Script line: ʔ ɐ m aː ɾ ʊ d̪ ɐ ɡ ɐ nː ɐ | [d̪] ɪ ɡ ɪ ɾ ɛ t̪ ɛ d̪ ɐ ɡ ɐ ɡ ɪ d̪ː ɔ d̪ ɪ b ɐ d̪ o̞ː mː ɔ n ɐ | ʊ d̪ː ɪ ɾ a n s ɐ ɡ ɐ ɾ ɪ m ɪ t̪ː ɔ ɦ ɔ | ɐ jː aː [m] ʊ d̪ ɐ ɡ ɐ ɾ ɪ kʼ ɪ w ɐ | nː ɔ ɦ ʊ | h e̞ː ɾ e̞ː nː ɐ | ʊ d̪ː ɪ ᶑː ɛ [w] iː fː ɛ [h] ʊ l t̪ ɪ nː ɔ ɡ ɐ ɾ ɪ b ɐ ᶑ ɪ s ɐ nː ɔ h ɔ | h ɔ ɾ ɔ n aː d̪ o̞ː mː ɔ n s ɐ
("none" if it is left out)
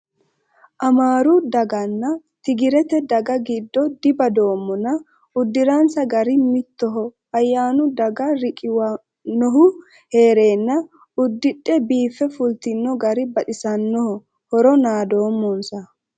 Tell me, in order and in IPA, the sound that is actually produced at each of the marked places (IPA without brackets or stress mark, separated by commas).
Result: t̪, n, b, f